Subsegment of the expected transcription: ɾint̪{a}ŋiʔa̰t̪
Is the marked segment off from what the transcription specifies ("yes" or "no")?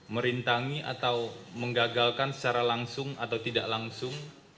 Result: no